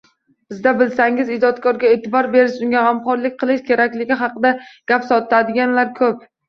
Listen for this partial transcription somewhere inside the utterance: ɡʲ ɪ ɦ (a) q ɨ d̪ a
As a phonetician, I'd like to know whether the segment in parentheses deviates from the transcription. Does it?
yes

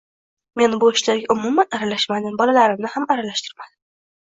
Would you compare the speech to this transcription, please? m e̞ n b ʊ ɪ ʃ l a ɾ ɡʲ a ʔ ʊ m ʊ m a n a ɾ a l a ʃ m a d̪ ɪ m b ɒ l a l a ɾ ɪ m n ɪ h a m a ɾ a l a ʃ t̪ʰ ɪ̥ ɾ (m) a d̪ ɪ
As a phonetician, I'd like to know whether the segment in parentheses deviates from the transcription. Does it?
no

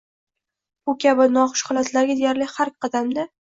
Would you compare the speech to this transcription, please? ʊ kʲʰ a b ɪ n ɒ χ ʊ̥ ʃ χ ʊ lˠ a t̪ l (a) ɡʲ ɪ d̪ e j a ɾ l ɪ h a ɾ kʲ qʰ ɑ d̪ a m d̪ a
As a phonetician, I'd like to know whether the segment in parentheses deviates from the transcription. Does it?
no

